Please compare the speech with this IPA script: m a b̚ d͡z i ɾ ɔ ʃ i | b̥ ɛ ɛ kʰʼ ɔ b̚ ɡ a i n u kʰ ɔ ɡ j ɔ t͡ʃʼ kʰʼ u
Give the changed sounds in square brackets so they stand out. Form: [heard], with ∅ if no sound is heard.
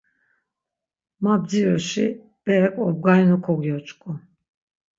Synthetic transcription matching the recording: m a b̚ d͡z i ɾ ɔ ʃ i | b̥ ɛ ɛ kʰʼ ɔ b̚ ɡ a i n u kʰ ɔ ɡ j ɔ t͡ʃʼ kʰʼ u